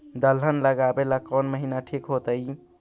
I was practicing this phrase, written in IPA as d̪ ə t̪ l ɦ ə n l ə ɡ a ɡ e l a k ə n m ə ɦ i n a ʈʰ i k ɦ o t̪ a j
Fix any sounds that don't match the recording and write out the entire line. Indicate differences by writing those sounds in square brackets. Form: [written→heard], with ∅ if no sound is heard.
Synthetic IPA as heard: d̪ ə [t̪→∅] l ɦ ə n l ə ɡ a [ɡ→b] e l a k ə n m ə ɦ i n a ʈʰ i k ɦ o t̪ [a→ə] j